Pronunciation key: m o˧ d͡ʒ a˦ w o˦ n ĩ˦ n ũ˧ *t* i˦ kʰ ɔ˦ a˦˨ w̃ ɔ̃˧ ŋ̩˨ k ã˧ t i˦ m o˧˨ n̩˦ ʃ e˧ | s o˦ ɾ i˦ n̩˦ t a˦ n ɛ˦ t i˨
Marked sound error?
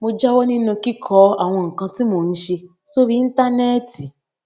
yes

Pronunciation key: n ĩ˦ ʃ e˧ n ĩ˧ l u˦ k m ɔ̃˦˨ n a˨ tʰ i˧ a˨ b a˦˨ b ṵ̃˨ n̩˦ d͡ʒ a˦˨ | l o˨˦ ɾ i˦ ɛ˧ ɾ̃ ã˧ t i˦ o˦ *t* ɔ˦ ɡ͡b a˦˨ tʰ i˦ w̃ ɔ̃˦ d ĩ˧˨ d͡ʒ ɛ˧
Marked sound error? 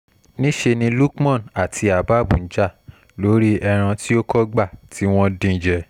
yes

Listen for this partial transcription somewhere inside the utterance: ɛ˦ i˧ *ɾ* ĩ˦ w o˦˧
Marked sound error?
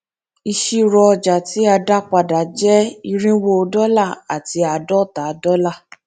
no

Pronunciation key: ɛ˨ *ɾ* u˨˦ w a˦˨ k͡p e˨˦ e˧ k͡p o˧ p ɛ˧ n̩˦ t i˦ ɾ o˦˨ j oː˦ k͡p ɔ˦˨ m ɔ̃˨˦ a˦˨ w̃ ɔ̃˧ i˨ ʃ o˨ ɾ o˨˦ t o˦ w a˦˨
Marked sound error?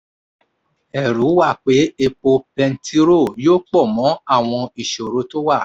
no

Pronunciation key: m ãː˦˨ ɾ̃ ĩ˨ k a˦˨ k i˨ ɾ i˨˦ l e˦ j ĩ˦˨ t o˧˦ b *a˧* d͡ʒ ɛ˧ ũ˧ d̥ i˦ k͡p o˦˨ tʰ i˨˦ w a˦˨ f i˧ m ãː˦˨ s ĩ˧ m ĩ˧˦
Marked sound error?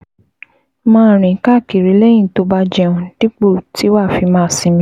no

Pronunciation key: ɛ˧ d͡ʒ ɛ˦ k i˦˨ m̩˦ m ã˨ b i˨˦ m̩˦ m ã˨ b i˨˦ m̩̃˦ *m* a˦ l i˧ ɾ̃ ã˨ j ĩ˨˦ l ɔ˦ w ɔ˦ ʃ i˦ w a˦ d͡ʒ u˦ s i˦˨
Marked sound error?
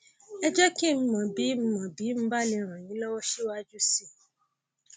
yes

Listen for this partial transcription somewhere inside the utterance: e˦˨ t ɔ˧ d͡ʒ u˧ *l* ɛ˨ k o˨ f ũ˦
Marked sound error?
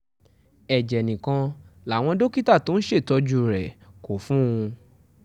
yes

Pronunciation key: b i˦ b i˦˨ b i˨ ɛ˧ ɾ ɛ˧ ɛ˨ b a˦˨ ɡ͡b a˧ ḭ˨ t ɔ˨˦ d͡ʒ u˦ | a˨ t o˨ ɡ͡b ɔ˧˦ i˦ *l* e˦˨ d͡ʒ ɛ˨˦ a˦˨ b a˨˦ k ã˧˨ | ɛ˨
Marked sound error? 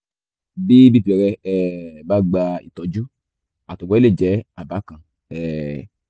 no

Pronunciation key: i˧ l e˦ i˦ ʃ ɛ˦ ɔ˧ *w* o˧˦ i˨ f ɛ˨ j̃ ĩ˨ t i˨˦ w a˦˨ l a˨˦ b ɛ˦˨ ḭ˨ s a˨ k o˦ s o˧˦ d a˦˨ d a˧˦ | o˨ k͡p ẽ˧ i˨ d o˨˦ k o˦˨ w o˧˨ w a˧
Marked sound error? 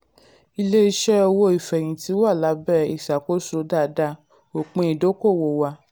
no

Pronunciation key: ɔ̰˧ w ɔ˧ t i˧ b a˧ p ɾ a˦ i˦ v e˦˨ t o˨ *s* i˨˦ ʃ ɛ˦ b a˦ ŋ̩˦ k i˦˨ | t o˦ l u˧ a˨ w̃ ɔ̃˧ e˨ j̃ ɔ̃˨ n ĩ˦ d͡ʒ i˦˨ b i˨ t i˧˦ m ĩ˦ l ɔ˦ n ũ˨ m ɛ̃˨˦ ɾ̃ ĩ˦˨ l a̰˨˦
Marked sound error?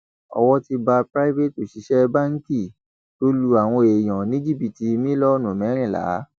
yes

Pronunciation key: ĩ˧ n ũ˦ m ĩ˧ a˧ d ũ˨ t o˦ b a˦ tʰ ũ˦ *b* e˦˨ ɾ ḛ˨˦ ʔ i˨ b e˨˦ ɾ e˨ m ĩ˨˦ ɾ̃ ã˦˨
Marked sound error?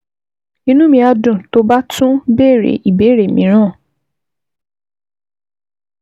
no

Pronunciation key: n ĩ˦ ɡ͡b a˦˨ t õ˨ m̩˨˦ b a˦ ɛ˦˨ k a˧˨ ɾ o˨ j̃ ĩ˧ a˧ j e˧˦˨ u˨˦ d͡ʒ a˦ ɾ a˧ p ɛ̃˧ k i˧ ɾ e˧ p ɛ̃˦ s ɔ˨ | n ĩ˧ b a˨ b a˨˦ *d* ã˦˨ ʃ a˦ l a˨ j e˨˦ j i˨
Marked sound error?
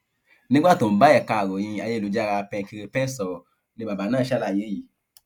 yes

